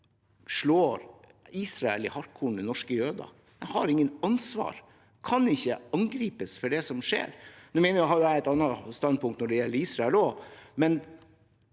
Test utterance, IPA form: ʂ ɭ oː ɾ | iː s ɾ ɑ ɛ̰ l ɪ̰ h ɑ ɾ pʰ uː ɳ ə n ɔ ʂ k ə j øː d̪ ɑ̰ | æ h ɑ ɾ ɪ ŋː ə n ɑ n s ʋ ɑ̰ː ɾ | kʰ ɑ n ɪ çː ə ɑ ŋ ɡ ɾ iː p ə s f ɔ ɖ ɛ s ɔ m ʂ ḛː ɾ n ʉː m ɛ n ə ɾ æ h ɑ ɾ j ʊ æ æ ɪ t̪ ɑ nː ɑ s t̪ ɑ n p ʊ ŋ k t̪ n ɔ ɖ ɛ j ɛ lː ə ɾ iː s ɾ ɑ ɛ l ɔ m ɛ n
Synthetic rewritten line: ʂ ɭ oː ɾ | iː s ɾ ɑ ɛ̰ l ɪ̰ h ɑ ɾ kʰ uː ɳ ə n ɔ ʂ k ə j øː d̪ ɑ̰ | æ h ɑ ɾ ɪ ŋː ə n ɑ n s ʋ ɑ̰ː ɾ | kʰ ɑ n ɪ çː ə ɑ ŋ ɡ ɾ iː p ə s f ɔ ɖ ɛ s ɔ m ʂ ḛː ɾ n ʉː m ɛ n ə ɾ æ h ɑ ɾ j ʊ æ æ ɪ t̪ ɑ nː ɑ s t̪ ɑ n p ʊ ŋ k t̪ n ɔ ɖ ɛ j ɛ lː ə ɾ iː s ɾ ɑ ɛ l ɔ m ɛ n